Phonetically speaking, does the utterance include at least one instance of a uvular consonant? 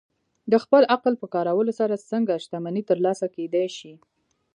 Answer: yes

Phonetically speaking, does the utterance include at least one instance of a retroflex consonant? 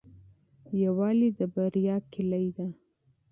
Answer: no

